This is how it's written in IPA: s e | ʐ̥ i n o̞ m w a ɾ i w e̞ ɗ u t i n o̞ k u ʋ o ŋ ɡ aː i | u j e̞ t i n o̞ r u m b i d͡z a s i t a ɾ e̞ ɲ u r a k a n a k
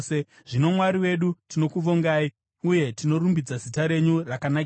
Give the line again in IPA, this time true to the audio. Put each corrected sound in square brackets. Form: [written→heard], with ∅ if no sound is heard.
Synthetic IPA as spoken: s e | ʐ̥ i n o̞ m w a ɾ i w e̞ ɗ u t i n o̞ k u ʋ o ŋ ɡ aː i | u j e̞ t i n o̞ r u m b i d͡z a [s→z] i t a ɾ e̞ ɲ u r a k a n a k